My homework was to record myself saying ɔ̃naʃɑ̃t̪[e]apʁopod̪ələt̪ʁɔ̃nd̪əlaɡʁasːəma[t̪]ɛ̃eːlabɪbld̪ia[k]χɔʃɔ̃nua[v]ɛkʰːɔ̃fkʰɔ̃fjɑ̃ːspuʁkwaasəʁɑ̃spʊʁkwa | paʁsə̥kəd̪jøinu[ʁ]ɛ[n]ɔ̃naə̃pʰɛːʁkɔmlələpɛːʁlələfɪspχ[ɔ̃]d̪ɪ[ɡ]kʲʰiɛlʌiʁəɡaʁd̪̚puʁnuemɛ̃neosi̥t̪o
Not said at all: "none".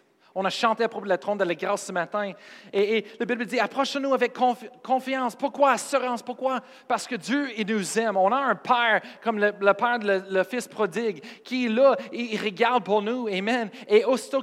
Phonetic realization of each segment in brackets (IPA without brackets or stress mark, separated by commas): e, t̪, p, v, z, m, ɔ, ɡ